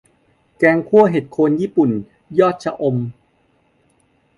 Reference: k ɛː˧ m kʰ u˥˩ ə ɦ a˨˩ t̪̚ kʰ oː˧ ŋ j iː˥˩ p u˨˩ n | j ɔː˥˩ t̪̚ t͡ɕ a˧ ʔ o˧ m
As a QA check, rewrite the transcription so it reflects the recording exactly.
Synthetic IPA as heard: k ɛː˧ ŋ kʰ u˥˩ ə ɦ e˨˩ t̪̚ kʰ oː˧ n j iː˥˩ p u˨˩ n | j ɔː˥˩ t̪̚ t͡ɕʰ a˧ ʔ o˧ m